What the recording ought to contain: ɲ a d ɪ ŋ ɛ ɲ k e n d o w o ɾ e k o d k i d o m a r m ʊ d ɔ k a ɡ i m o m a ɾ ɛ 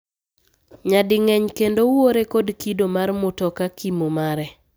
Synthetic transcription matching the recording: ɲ a d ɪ ŋ ɛ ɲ k e n d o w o ɾ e k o d k i d o m a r m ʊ t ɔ k a k i m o m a ɾ ɛ